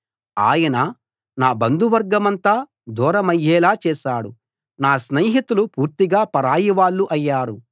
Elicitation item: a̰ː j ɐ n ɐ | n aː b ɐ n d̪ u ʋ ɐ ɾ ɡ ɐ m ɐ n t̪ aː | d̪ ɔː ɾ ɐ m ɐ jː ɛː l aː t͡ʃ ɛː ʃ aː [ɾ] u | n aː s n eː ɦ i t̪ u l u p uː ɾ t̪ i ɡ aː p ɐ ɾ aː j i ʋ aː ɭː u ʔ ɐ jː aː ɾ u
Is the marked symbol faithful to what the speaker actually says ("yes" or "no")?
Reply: no